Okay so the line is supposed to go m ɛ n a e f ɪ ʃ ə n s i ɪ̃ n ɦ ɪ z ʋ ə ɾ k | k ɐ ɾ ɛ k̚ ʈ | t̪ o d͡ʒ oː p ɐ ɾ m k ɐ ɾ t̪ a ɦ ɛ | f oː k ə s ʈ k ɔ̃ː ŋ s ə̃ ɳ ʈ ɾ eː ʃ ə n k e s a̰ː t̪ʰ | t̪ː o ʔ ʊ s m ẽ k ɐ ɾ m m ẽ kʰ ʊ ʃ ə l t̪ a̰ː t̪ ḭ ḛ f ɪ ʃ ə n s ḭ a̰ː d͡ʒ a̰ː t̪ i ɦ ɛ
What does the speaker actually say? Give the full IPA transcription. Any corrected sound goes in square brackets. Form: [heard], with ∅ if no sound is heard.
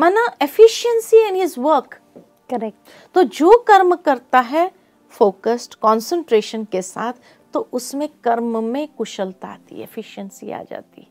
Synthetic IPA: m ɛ n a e f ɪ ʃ ə n s i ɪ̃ n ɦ ɪ z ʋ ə ɾ k | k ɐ ɾ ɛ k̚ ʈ | t̪ o d͡ʒ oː [k] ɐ ɾ m k ɐ ɾ t̪ a ɦ ɛ | f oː k ə s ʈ k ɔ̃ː [n] s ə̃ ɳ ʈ ɾ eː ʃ ə n k e s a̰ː t̪ʰ | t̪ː o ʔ ʊ s m ẽ k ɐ ɾ m m ẽ [k] ʊ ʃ ə l t̪ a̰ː t̪ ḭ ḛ f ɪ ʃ ə n s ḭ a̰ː d͡ʒ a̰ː t̪ i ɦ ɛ